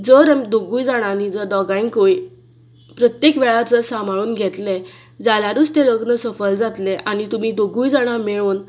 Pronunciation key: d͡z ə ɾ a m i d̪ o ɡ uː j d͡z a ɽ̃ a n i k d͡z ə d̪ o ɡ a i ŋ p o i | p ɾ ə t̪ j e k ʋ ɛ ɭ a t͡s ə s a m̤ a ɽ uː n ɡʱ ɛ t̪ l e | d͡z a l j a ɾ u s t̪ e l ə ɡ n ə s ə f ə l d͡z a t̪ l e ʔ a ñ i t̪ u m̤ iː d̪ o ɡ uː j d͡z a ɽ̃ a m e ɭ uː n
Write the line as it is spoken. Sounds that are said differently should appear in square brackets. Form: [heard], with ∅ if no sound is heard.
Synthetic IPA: d͡z ə ɾ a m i d̪ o ɡ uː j d͡z a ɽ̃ a n i [∅] d͡z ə d̪ [ɔ] ɡ a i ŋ [k] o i | p ɾ ə t̪ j e k ʋ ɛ ɭ a t͡s ə s a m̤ a [ɭ] uː n ɡʱ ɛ t̪ l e | d͡z a l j a ɾ u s t̪ e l ə ɡ n ə s ə f ə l d͡z a t̪ l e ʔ a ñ i t̪ u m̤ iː d̪ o ɡ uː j d͡z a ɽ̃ a m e ɭ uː n